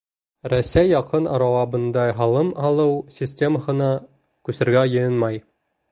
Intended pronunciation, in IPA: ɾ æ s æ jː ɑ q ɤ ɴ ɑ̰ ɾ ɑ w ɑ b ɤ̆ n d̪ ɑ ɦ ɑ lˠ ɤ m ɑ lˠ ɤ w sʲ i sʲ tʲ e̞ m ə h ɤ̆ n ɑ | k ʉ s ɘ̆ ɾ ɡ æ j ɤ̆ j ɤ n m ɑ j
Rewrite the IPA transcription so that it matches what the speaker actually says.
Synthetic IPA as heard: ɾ æ s æ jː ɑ q ɤ n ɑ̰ ɾ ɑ w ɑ b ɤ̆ n d̪ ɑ ɦ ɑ lˠ ɤ m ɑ lˠ ɤ w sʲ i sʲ tʲ e̞ m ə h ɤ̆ n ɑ | k ʉ s ɘ̆ ɾ ɡ æ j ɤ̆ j ɤ n m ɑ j

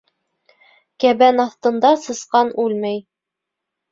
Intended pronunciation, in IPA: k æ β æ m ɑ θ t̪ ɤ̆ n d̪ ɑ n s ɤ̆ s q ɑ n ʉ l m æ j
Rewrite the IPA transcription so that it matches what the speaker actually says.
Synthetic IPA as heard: k æ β æ n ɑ θ t̪ ɤ̆ n d̪ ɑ s ɤ̆ s q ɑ n ʉ l m æ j

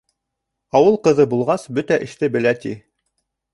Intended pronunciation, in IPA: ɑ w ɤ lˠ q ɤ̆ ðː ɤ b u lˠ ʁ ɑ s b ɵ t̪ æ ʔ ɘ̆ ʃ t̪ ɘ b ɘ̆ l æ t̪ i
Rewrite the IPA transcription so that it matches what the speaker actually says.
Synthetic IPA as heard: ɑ w ɤ lˠ q ɤ̆ ð ɤ b u lˠ ʁ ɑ s b ɵ t̪ æ ʔ ɘ̆ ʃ t̪ ɘ b ɘ̆ l æ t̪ i

